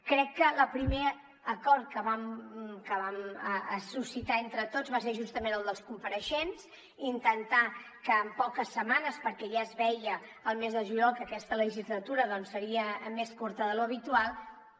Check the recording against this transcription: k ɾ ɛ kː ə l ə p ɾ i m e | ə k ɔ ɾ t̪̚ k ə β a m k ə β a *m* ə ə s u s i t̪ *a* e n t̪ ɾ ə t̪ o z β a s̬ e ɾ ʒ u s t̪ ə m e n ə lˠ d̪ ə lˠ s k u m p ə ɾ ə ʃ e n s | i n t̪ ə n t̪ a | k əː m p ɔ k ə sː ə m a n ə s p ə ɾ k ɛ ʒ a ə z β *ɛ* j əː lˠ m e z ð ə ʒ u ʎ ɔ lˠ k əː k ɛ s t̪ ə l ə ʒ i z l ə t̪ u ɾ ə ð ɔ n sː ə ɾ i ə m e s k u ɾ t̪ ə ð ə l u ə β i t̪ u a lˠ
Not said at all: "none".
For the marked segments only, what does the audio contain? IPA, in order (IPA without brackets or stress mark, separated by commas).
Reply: m, a, ɛ